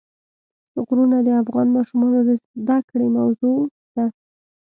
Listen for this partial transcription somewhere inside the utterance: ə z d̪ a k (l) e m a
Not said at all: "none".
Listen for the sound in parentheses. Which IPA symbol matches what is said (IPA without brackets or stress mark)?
ɽ